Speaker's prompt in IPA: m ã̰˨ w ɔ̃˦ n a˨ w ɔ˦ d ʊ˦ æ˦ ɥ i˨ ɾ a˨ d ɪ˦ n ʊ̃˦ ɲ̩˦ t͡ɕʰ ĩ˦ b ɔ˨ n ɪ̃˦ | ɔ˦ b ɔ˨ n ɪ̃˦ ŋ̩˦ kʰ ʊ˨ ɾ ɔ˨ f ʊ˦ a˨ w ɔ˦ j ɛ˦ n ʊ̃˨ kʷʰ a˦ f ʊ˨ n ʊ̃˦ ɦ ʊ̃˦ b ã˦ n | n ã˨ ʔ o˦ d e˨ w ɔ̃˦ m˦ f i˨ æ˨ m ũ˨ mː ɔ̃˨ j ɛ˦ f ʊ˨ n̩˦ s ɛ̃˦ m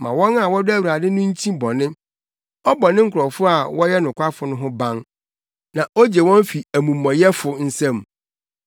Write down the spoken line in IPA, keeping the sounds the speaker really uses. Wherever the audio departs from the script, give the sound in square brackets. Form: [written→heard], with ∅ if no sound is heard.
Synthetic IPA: m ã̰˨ w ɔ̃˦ n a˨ w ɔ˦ d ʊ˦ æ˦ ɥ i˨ ɾ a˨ d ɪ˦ n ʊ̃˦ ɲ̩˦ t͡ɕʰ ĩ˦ b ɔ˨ n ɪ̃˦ | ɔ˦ b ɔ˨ n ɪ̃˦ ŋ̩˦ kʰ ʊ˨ ɾ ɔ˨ f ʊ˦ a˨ w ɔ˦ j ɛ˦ n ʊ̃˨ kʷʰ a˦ f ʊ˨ n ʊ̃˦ ɦ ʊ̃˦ b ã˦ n | n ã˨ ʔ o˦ [d→d͡ʑ] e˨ w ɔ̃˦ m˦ f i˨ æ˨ m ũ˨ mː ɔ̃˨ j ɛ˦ f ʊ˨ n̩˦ s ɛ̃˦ m